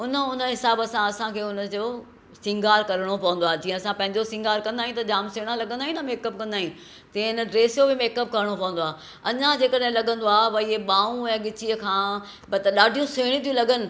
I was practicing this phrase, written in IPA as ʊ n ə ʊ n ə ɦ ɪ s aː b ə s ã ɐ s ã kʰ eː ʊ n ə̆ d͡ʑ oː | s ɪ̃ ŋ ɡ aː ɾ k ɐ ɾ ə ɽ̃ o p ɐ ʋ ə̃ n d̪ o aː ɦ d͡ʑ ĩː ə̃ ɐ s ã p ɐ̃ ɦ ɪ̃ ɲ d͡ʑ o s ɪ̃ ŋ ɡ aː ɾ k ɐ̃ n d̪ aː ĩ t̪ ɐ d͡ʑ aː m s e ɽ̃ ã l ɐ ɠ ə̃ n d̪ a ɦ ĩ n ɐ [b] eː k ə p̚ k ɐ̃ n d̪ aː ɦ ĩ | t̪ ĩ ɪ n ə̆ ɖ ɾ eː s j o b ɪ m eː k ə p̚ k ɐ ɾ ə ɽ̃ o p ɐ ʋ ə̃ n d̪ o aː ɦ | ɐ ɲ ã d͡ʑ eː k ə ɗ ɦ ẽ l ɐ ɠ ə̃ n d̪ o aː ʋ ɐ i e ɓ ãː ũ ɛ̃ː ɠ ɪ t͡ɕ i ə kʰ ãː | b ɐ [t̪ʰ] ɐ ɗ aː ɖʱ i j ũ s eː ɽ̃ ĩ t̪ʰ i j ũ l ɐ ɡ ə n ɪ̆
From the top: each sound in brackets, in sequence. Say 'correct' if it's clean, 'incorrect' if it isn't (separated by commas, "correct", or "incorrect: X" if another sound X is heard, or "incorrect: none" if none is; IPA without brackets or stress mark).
incorrect: m, incorrect: t̪